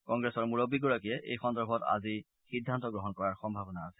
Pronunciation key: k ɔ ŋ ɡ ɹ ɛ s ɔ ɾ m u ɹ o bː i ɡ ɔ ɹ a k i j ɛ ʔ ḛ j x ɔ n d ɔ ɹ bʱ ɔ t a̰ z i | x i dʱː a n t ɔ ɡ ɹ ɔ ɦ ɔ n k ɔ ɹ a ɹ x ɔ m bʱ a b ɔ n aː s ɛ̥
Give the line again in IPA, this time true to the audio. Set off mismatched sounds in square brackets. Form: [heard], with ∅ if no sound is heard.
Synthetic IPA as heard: k ɔ ŋ ɡ ɹ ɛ s ɔ [ɹ] m u ɹ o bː i ɡ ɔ ɹ a k i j ɛ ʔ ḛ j x ɔ n d ɔ ɹ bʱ ɔ t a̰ z i | x i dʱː a n t ɔ ɡ ɹ ɔ ɦ ɔ n k ɔ ɹ a ɹ x ɔ m bʱ a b ɔ n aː s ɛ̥